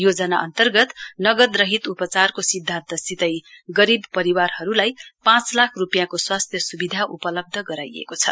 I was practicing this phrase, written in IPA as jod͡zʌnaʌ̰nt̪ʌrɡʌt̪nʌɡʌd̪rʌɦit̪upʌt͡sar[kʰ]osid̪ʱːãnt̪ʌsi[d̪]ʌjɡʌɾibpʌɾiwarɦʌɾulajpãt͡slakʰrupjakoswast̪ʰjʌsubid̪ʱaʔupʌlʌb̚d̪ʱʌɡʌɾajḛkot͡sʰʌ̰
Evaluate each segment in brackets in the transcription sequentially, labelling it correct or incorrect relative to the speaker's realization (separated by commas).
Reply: incorrect, incorrect